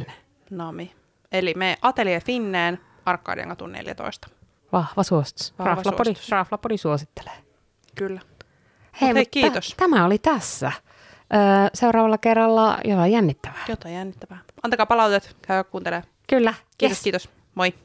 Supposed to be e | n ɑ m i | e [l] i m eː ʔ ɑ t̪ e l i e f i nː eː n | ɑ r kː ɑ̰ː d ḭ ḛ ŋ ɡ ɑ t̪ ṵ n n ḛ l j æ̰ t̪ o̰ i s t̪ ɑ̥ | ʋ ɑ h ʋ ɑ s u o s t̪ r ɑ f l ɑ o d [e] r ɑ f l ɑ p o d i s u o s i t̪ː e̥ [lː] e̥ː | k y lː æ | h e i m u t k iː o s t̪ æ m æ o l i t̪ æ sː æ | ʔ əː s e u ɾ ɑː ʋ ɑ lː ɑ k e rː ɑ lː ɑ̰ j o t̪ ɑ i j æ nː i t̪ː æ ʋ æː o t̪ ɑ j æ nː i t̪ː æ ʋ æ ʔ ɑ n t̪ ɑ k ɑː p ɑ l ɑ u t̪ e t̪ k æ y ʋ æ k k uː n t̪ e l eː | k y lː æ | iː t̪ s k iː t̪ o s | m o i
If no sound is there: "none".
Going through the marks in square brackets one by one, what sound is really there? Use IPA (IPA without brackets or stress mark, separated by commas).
l, i, l